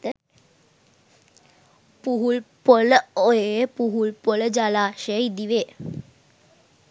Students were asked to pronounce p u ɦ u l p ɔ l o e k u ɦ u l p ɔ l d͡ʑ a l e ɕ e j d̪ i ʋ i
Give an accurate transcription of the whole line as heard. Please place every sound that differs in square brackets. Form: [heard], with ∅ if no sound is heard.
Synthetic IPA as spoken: p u ɦ u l p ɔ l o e [p] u ɦ u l p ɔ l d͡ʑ a l [a] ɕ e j d̪ i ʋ [e]